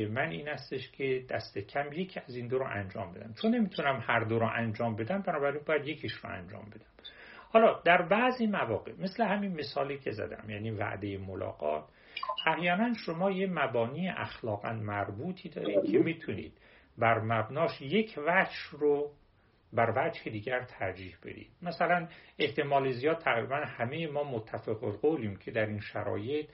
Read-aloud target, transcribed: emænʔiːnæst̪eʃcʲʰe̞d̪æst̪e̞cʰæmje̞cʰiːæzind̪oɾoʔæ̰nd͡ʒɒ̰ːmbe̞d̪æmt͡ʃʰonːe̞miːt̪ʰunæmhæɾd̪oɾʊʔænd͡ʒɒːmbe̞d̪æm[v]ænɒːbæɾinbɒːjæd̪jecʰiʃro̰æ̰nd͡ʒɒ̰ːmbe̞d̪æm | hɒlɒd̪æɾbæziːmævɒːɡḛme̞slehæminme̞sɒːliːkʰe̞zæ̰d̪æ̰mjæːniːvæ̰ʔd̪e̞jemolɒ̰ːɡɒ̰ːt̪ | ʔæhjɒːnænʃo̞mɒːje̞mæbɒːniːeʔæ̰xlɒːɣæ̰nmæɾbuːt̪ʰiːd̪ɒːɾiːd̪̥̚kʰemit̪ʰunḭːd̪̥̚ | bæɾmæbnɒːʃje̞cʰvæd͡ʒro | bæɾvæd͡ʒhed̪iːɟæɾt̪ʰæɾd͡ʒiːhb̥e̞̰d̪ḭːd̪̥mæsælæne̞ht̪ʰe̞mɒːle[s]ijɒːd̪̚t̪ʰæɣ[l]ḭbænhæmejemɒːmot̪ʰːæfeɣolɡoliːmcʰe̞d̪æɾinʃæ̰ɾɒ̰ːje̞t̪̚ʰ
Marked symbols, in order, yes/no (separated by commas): no, no, no